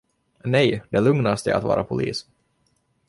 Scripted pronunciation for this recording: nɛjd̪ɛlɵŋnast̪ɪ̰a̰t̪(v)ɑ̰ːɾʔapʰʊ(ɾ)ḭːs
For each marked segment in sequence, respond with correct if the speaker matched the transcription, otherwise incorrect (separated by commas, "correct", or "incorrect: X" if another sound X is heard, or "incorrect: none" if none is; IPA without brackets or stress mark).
correct, incorrect: l